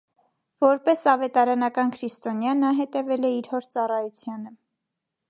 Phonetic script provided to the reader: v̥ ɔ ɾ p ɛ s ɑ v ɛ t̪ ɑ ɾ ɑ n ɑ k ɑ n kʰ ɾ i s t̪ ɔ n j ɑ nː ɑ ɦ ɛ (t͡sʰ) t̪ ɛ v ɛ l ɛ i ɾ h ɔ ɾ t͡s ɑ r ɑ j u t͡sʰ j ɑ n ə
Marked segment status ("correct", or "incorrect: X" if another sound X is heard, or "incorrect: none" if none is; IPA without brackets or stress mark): incorrect: none